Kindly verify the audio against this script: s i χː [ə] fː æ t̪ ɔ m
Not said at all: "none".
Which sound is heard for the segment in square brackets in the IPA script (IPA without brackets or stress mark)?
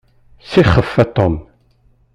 ə